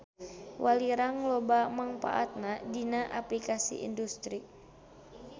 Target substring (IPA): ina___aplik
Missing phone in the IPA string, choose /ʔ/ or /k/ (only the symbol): ʔ